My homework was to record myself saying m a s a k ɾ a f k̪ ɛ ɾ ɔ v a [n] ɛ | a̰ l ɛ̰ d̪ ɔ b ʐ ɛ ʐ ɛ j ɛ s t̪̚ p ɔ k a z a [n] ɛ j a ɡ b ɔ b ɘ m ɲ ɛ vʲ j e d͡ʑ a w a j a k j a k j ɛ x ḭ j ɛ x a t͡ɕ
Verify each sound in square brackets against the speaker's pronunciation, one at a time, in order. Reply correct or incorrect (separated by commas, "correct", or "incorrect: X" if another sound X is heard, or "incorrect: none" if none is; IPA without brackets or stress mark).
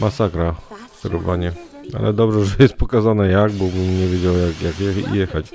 incorrect: ɲ, correct